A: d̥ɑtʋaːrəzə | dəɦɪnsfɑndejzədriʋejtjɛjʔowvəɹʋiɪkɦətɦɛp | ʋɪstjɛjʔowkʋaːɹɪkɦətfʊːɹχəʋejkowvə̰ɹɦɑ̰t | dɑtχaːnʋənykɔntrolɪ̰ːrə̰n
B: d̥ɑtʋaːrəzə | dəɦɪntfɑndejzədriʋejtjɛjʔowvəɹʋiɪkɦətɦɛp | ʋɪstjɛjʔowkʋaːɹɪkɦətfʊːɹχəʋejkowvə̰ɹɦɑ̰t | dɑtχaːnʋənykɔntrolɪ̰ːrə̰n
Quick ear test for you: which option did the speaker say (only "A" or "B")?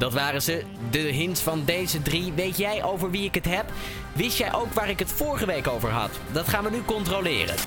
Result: A